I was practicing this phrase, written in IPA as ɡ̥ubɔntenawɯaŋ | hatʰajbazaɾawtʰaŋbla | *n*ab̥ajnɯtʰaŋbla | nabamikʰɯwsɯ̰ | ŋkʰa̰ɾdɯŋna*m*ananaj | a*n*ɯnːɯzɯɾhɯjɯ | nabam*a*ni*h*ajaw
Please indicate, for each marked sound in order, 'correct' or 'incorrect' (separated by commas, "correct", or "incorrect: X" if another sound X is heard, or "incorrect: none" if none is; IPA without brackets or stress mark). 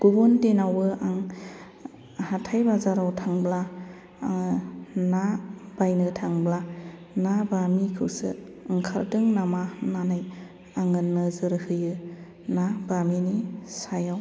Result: correct, correct, incorrect: ŋ, incorrect: i, incorrect: s